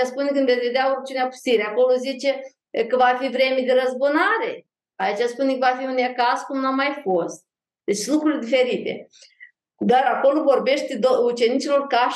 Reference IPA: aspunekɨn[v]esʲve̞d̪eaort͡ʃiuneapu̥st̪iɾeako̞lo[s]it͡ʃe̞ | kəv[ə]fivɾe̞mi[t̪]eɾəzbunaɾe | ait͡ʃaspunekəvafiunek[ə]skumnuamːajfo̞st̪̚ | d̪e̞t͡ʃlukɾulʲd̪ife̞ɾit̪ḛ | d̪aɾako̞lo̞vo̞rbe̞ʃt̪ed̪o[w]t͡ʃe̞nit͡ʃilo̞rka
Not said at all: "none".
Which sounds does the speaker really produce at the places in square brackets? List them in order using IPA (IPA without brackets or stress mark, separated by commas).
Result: v, z, a, d̪, a, u